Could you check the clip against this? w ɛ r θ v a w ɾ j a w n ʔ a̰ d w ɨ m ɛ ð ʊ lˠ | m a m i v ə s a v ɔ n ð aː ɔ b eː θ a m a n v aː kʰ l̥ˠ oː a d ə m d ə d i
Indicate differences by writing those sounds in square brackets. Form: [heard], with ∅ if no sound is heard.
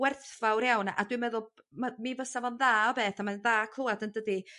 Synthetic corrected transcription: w ɛ r θ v a w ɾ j a w n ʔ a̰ d w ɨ m ɛ ð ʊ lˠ | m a m i v ə s a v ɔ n ð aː ɔ b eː θ a m a n [ð] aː kʰ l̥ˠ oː a d ə [n] d ə d i